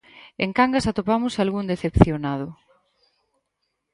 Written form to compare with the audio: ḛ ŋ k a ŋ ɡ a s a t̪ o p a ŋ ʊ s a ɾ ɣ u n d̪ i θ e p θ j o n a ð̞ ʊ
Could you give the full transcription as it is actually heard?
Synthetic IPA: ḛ ŋ k a ŋ ɡ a s a t̪ o p a m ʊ s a l ɣ u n d̪ e θ e p θ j o n a ð̞ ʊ